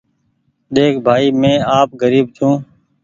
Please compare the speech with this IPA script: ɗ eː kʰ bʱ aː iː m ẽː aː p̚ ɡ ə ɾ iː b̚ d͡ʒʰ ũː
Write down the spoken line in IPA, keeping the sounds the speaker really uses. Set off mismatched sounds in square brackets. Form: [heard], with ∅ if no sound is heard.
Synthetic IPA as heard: ɗ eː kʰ bʱ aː iː m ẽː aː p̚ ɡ ə ɾ iː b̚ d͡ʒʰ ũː